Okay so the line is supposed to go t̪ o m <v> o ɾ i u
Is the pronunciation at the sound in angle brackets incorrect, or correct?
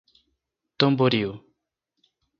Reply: incorrect: b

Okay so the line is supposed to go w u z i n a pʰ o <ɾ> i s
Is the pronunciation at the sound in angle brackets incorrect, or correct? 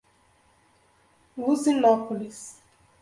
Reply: incorrect: l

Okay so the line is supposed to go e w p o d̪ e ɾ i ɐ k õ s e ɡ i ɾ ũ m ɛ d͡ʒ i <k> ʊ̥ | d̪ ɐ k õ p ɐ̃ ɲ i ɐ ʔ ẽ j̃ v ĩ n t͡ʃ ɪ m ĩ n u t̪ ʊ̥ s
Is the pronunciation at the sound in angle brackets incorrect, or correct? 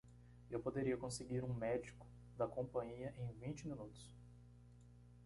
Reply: correct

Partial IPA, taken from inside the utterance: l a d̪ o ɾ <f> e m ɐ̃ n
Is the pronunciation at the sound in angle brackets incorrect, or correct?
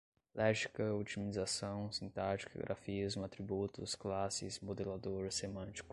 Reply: incorrect: s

